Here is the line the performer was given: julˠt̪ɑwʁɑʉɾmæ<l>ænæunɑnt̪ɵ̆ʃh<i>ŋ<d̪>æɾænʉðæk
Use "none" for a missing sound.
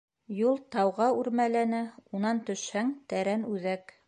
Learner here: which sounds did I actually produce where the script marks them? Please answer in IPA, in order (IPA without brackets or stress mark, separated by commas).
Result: l, æ, t̪